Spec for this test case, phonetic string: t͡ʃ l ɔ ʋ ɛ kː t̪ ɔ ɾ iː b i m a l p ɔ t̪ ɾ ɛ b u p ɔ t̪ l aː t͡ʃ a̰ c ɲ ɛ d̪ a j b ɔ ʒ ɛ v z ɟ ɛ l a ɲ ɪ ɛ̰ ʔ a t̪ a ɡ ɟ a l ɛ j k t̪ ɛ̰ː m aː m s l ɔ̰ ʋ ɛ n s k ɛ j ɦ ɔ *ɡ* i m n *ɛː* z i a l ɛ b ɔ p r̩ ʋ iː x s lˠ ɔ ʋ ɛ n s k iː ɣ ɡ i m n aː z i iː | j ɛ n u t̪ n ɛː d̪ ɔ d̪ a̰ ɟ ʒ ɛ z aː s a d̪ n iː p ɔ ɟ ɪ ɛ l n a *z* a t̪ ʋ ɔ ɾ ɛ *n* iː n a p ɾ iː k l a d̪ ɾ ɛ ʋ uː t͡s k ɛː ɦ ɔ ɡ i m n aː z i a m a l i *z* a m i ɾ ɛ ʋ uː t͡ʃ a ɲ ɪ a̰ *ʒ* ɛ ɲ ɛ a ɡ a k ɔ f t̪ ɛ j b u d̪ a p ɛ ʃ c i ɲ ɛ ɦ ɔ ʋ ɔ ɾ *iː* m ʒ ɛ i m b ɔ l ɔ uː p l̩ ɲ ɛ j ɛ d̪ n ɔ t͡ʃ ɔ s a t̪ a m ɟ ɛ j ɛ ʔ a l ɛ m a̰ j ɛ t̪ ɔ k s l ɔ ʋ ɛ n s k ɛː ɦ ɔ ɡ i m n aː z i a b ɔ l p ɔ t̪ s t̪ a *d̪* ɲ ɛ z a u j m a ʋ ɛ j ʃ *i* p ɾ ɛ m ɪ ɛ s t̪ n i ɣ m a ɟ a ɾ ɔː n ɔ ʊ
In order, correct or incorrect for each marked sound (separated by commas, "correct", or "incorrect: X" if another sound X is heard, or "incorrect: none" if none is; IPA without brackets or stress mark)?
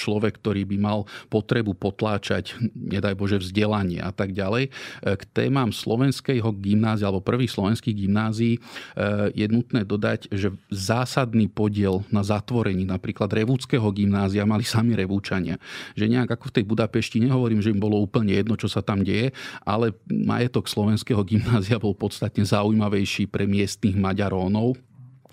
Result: correct, incorrect: aː, correct, incorrect: ɲ, incorrect: s, correct, correct, incorrect: t̪, incorrect: iː